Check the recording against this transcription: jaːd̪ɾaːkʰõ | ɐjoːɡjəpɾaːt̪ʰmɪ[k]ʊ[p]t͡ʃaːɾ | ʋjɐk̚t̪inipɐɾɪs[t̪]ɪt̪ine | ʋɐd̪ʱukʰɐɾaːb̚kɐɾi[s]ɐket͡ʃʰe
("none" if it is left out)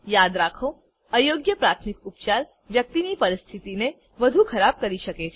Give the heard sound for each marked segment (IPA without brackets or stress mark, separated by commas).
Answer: k, p, t̪ʰ, ʃ